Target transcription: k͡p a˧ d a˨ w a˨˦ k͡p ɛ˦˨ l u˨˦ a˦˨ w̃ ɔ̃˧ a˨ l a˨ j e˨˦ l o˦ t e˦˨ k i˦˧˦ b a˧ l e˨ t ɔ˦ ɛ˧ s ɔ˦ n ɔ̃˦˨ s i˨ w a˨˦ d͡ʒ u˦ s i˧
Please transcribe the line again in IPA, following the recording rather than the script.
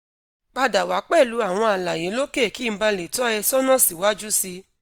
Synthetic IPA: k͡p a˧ d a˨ w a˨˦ k͡p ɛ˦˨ l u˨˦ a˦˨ w̃ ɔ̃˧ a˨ l a˨ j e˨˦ l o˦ k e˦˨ k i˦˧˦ b a˧ l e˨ t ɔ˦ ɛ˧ s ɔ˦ n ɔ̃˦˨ s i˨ w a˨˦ d͡ʒ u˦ s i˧